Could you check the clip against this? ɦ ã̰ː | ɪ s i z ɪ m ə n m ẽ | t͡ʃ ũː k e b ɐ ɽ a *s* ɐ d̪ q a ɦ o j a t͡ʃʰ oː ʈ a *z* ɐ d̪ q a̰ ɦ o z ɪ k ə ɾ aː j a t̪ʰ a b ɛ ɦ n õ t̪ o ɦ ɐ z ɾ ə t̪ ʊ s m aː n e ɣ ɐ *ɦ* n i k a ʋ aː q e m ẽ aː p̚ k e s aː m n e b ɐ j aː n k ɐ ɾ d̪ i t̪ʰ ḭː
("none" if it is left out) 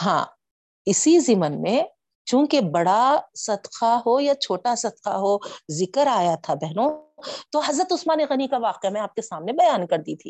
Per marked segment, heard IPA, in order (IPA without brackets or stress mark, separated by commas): s, s, none